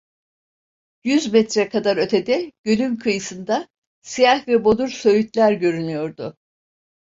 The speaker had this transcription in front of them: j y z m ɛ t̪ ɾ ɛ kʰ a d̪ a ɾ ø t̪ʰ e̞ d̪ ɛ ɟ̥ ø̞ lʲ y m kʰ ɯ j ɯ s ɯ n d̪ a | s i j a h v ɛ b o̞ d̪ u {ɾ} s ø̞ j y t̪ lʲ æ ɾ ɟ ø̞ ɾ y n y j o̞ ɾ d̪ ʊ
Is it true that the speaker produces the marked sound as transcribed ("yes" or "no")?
yes